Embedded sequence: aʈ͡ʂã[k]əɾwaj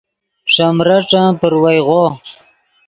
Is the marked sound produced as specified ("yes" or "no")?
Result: no